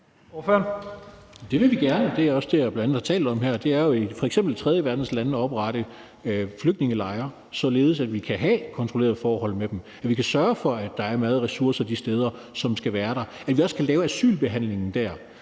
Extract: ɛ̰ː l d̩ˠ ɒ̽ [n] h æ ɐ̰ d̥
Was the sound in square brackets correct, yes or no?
no